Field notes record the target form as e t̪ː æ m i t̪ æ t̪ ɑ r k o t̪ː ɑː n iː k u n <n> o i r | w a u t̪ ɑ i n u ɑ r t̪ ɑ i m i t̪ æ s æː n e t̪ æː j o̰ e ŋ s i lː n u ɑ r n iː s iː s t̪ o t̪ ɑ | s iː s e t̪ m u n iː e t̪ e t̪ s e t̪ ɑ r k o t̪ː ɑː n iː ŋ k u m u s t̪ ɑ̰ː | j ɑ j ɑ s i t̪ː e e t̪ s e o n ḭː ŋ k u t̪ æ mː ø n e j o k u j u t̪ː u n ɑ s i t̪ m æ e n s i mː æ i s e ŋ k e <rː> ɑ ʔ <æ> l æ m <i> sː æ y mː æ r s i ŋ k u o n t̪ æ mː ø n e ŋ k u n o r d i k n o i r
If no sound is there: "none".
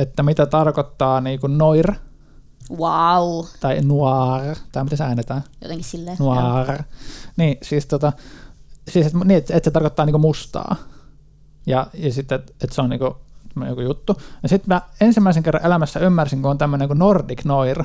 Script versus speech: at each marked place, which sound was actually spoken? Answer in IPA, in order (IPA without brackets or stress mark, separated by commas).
n, rː, e, æ